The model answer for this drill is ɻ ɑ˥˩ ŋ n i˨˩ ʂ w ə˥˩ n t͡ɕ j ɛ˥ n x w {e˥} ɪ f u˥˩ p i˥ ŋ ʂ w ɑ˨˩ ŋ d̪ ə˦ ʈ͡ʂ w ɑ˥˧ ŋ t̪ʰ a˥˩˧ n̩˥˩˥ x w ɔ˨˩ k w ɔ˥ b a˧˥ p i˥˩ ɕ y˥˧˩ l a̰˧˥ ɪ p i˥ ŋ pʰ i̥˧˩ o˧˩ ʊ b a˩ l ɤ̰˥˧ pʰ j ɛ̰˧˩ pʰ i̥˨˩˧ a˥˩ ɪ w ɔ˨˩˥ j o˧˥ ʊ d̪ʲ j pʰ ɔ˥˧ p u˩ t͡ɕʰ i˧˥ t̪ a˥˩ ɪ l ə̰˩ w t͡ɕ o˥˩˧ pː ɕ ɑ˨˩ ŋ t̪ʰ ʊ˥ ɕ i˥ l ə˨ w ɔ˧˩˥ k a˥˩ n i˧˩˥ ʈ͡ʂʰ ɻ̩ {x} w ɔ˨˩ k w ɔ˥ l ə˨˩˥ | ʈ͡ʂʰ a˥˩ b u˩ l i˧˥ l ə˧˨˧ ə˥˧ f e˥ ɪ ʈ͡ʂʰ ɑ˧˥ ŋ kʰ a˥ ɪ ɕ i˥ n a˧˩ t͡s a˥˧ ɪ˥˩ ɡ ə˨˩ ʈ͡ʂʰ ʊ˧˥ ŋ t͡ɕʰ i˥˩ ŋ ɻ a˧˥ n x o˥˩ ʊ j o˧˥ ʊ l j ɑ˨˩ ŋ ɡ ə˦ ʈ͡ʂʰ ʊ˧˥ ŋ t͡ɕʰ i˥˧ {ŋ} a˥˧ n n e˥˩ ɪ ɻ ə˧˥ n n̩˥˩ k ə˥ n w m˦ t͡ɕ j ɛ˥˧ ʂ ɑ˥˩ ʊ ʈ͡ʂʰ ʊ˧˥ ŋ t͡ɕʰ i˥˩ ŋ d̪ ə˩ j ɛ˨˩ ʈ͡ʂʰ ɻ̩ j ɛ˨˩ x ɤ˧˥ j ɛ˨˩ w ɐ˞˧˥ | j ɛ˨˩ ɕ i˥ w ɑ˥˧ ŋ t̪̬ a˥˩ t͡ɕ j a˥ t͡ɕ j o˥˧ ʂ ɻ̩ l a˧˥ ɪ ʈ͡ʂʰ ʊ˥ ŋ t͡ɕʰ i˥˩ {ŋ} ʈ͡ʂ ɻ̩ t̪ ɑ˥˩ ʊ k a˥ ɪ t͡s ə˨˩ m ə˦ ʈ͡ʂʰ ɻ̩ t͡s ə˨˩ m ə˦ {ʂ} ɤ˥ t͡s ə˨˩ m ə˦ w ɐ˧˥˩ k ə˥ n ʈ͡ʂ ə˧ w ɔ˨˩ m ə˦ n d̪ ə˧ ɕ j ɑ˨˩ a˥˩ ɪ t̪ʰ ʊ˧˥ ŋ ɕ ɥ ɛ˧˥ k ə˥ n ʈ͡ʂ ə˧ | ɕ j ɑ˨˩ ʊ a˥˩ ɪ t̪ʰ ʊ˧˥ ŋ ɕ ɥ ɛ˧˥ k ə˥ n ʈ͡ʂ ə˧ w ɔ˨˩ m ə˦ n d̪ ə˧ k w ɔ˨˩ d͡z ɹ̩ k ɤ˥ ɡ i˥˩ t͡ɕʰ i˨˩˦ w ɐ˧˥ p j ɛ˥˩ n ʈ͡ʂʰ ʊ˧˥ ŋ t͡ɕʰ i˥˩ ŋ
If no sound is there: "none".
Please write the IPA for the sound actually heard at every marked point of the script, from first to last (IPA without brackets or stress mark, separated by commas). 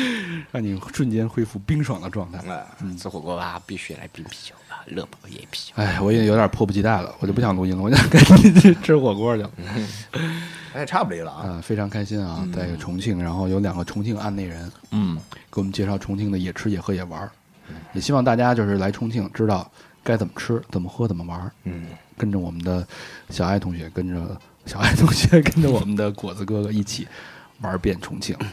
e˥, x, ŋ, ŋ, x